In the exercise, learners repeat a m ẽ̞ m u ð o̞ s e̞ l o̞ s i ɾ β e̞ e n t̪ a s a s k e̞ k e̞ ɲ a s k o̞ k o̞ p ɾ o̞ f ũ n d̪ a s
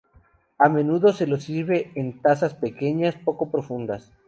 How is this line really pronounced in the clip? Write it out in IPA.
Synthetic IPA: a m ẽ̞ n u ð o̞ s e̞ l o̞ s i ɾ β e̞ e n t̪ a s a s p e̞ k e̞ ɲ a s p o̞ k o̞ p ɾ o̞ f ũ n d̪ a s